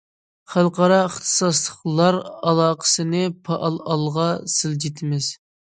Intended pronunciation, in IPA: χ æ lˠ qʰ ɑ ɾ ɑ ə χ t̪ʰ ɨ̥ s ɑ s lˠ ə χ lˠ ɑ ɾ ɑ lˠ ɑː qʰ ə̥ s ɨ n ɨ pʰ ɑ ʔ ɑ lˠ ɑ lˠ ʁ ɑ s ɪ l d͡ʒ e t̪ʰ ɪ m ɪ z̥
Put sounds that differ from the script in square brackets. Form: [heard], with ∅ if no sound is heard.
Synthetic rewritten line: χ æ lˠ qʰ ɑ ɾ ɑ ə χ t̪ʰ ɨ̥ s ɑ s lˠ ə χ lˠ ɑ ɾ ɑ lˠ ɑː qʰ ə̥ s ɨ n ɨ pʰ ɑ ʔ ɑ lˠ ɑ lˠ ʁ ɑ s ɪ l d͡ʒ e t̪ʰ ɪ m ɪ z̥